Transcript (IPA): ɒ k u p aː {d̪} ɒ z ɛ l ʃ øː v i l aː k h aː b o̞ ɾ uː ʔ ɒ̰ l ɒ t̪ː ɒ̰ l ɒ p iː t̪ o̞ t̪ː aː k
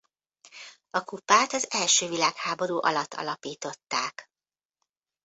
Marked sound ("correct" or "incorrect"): incorrect